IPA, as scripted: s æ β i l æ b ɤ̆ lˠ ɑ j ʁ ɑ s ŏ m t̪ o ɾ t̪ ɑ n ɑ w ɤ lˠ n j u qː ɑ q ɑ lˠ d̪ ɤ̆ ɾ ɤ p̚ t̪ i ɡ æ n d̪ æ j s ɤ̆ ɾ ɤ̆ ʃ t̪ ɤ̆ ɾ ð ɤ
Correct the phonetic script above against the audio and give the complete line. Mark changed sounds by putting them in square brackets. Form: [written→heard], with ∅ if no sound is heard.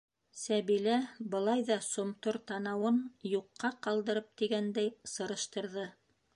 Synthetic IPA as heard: s æ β i l æ b ɤ̆ lˠ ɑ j [ʁ→ð] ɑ s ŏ m t̪ o ɾ t̪ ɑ n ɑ w ɤ [lˠ→∅] n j u qː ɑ q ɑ lˠ d̪ ɤ̆ ɾ ɤ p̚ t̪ i ɡ æ n d̪ æ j s ɤ̆ ɾ ɤ̆ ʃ t̪ ɤ̆ ɾ ð ɤ

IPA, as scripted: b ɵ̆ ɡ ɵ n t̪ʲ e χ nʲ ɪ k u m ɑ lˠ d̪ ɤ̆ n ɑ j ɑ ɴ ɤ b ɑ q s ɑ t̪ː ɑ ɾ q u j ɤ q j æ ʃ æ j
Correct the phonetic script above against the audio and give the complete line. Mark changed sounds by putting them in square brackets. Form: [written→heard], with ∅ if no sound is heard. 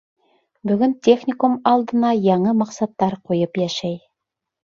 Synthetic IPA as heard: b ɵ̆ ɡ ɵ n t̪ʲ e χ nʲ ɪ k u m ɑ lˠ d̪ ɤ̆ n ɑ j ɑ ɴ ɤ [b→m] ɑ q s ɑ t̪ː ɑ ɾ q u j ɤ [q→p] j æ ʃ æ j

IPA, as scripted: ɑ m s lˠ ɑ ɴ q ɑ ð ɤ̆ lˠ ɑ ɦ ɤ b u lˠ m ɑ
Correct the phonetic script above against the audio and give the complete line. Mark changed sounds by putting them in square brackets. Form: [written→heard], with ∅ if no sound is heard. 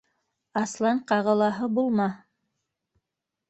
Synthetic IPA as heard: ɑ [m→∅] s lˠ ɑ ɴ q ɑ [ð→ʁ] ɤ̆ lˠ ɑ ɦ ɤ b u lˠ m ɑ

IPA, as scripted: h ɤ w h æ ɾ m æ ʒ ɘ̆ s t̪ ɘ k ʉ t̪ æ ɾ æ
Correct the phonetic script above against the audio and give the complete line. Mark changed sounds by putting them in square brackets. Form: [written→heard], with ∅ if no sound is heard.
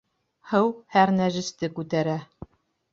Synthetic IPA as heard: h ɤ w h æ ɾ [m→n] æ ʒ ɘ̆ s t̪ ɘ k ʉ t̪ æ ɾ æ

